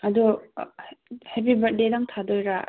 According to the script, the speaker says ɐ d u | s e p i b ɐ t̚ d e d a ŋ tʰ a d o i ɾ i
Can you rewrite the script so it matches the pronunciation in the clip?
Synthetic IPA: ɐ d u | h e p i b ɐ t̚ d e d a ŋ tʰ a d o j ɾ a